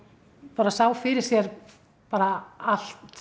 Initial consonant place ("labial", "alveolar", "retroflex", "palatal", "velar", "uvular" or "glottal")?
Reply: labial